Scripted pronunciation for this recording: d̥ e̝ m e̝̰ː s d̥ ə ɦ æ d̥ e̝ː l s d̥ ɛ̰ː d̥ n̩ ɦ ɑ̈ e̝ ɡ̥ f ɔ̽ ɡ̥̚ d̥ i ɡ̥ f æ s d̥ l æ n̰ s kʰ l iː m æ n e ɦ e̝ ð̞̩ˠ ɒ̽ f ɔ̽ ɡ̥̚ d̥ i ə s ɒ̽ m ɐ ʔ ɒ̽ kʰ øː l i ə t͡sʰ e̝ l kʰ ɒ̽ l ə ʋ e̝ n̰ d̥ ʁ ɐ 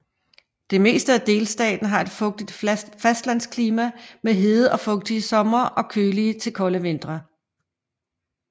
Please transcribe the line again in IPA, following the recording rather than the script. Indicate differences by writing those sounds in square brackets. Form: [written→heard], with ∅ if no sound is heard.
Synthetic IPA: d̥ e̝ m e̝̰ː s d̥ ə [ɦ→∅] æ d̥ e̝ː l s d̥ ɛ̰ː d̥ n̩ ɦ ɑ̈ e̝ [ɡ̥→d̥] f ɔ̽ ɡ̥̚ d̥ i [ɡ̥→d̥] f æ s d̥ l æ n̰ s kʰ l iː m æ [n→m] e ɦ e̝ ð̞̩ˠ ɒ̽ f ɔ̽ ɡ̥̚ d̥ i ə s ɒ̽ m ɐ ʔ ɒ̽ kʰ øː l i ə t͡sʰ e̝ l kʰ ɒ̽ l ə ʋ e̝ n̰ d̥ ʁ ɐ